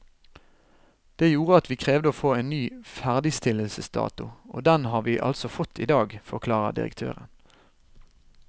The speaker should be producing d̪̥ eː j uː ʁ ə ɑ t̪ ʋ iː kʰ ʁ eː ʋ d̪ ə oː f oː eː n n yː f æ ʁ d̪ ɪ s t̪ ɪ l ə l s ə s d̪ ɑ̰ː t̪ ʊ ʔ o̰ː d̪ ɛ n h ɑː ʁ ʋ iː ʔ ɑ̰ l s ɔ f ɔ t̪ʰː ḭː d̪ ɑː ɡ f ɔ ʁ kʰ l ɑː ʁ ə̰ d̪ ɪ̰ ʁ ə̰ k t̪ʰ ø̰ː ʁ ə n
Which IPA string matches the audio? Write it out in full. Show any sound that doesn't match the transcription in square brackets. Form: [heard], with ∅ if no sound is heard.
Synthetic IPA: d̪̥ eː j uː ʁ ə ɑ t̪ ʋ iː kʰ ʁ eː ʋ d̪ ə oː f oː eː n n yː f æ ʁ d̪ ɪ s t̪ ɪ l ə l s ə s d̪ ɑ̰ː t̪ ʊ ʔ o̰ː d̪ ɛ n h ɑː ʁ ʋ iː ʔ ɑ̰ l s ɔ f ɔ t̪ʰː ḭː d̪ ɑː ɡ f ɔ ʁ kʰ l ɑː ʁ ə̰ d̪ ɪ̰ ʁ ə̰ k t̪ʰ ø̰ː ʁ ə n